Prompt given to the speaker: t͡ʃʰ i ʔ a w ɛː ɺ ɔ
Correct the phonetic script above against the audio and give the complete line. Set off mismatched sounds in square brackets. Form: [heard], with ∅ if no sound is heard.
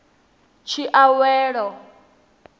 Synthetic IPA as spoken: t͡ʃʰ i ʔ a w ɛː ɺ ɔ